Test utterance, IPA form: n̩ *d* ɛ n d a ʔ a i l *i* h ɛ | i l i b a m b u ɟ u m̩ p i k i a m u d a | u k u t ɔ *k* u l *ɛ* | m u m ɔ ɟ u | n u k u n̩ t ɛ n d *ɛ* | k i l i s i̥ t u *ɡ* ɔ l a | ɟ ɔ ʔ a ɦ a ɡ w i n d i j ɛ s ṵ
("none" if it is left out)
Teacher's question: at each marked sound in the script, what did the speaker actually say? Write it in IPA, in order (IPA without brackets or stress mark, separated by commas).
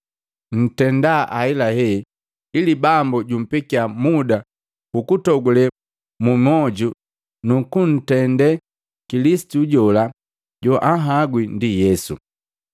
t, a, ɡ, ɛ, ɛ, ɟ